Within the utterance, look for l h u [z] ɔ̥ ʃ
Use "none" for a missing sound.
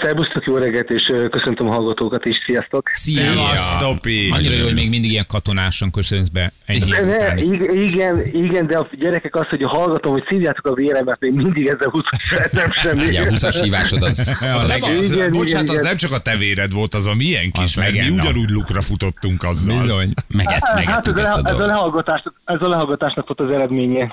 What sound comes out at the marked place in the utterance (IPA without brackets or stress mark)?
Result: s